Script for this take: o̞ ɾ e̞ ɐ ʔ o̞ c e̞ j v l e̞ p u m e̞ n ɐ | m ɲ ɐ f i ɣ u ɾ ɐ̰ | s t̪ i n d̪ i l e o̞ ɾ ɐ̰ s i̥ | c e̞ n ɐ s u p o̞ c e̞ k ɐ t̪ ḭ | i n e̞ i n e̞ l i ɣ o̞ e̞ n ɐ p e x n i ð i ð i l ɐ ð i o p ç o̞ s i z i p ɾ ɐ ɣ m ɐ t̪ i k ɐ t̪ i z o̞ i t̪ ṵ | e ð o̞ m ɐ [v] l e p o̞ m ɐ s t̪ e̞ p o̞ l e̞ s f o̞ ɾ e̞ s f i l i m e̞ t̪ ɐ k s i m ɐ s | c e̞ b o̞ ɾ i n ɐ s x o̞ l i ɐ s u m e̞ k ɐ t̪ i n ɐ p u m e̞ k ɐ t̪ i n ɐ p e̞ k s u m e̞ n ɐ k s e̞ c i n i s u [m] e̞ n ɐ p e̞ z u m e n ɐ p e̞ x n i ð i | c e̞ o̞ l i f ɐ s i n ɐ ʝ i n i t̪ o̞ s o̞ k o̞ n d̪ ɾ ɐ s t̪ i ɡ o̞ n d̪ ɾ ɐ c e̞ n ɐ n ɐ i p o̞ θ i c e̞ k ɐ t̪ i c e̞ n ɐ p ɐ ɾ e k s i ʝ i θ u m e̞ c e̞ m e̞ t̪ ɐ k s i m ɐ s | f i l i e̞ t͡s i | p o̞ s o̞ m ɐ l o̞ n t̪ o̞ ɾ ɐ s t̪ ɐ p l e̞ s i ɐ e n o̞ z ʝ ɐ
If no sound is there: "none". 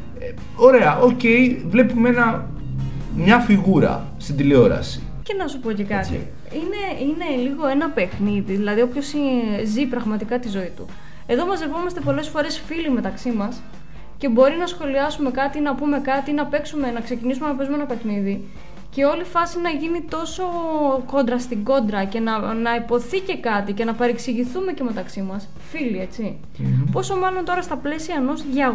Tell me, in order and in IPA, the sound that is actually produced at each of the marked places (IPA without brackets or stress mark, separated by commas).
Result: z, m